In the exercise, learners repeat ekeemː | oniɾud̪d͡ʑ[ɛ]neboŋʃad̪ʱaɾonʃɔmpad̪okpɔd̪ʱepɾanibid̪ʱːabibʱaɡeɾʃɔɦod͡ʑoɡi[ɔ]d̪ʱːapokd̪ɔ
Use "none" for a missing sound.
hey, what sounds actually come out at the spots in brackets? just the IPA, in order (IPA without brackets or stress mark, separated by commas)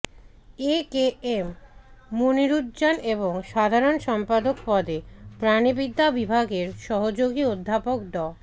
a, o